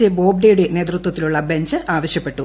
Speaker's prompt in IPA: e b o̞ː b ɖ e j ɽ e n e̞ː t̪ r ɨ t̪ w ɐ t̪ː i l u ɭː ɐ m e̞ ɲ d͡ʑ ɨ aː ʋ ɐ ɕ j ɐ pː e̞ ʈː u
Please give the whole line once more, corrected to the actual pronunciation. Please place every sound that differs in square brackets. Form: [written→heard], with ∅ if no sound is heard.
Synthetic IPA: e b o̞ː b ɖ e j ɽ e n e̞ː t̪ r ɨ t̪ w ɐ t̪ː i l u ɭː ɐ [m→b] e̞ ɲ d͡ʑ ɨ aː ʋ ɐ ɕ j ɐ pː e̞ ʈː u

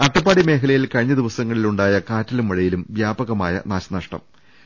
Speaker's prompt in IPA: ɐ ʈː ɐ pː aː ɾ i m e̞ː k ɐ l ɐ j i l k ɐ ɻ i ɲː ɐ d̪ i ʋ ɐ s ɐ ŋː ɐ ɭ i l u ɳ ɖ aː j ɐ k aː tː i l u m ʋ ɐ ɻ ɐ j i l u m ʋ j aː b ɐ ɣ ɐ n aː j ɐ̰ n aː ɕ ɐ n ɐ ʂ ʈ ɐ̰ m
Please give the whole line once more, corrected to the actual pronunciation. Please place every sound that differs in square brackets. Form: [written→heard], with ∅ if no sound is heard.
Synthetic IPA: ɐ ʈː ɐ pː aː [ɾ→ɽ] i m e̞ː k ɐ l ɐ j i l k ɐ ɻ i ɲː ɐ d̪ i ʋ ɐ s ɐ ŋː ɐ ɭ i l u ɳ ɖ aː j ɐ k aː tː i l u m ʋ ɐ ɻ ɐ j i l u m ʋ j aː b ɐ ɣ ɐ [n→m] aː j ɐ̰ n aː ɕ ɐ n ɐ ʂ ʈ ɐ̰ m

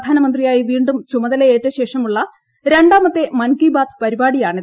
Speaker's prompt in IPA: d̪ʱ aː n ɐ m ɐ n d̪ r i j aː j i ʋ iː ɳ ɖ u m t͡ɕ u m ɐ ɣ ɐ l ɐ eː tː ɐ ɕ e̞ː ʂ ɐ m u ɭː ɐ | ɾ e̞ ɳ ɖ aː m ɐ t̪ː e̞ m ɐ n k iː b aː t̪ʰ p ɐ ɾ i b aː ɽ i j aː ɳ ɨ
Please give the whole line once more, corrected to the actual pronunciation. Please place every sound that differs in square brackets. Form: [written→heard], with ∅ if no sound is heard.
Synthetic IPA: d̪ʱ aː n ɐ m ɐ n d̪ r i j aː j i ʋ iː ɳ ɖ u m t͡ɕ u m ɐ [ɣ→ð] ɐ l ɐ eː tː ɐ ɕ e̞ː ʂ ɐ m u ɭː ɐ | ɾ e̞ ɳ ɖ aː m ɐ t̪ː e̞ m ɐ n k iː b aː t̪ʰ p ɐ ɾ i b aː ɽ i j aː ɳ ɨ

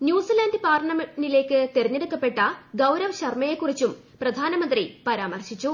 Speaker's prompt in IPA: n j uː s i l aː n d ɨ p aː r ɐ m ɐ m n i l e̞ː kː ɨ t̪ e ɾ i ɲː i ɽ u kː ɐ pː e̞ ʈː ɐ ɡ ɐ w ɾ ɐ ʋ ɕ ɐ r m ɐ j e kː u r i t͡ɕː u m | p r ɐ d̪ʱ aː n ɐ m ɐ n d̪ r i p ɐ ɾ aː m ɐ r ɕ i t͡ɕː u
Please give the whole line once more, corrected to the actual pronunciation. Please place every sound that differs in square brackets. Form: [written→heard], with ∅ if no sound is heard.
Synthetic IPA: n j uː s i l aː n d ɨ p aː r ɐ [m→ɳ] ɐ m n i l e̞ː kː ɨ t̪ e ɾ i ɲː [i→e] ɽ u kː ɐ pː e̞ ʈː ɐ ɡ ɐ w ɾ ɐ ʋ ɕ ɐ r m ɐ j e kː u r i t͡ɕː u m | p r ɐ d̪ʱ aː n ɐ m ɐ n d̪ r i p ɐ ɾ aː m ɐ r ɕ i t͡ɕː u

